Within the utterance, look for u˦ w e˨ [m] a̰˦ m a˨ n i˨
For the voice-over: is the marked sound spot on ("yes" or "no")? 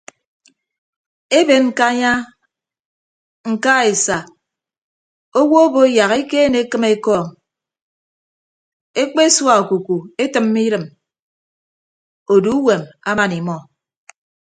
yes